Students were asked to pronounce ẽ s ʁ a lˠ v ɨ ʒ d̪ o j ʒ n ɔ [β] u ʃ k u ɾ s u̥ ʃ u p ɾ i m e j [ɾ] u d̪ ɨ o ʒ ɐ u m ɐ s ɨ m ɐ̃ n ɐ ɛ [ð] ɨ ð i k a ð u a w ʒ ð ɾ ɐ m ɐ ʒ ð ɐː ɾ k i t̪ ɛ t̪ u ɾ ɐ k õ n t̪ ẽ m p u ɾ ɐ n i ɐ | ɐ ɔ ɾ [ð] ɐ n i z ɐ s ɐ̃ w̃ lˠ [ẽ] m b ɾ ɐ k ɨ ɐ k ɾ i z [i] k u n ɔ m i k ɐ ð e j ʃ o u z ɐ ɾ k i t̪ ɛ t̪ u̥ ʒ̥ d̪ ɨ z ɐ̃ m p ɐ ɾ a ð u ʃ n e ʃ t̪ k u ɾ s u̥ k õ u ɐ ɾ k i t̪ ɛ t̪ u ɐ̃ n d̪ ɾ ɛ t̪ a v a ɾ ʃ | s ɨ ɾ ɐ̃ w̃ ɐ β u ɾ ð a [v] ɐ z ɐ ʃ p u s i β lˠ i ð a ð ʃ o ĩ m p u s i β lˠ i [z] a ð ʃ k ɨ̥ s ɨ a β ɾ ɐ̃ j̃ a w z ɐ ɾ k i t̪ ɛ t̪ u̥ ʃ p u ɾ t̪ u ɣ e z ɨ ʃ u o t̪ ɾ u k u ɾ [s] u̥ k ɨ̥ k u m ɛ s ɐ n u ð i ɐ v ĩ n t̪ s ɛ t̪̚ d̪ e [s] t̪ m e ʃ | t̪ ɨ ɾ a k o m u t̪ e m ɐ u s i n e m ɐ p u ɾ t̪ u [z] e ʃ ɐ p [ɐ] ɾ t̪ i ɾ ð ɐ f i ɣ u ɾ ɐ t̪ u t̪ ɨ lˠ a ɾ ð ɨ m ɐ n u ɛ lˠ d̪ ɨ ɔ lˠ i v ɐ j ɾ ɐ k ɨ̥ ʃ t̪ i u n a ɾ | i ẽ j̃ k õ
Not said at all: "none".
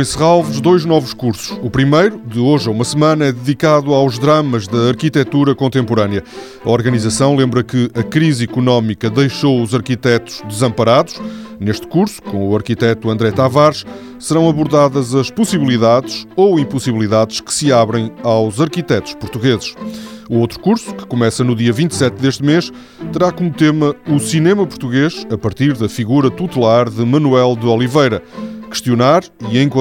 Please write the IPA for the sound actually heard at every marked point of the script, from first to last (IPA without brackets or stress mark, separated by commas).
v, ɾ, ð, ɣ, ẽ, i, ð, ð, s, ʃ, ɣ, ɐ